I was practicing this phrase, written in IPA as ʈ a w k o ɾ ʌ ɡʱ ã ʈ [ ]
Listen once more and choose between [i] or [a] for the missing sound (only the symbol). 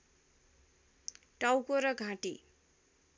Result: i